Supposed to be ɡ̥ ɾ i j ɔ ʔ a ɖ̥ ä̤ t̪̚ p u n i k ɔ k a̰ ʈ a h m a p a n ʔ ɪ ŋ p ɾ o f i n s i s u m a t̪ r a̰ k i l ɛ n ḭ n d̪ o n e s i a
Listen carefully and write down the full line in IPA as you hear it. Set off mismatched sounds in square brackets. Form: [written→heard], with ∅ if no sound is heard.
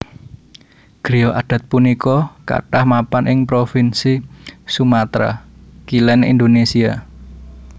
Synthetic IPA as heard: ɡ̥ ɾ i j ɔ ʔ a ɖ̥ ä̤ t̪̚ p u n i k ɔ k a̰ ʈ a h m a p a n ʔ ɪ ŋ p ɾ o f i n s i s u m a t̪ [r→ɾ] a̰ k i l ɛ n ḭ n d̪ o n e s i a